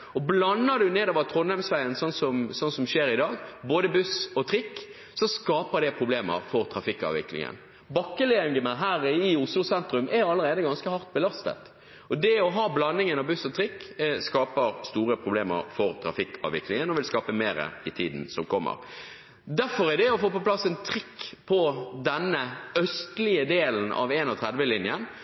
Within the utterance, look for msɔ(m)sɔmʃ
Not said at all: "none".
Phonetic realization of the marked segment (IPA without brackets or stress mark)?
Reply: n